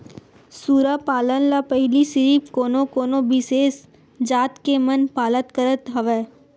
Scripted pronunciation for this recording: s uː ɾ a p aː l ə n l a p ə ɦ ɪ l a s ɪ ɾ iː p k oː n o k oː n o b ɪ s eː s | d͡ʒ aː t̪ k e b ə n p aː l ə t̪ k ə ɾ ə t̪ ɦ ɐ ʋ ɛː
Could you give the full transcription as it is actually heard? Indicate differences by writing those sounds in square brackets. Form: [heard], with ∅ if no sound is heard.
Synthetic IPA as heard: s uː ɾ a p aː l ə n l a p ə ɦ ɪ l [i] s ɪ ɾ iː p k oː n o k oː n o b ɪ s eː s | d͡ʒ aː t̪ k e [m] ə n p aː l ə t̪ k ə ɾ ə t̪ ɦ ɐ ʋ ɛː